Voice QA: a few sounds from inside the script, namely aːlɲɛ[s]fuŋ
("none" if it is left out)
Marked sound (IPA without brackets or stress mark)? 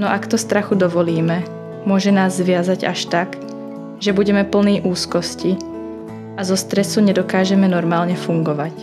none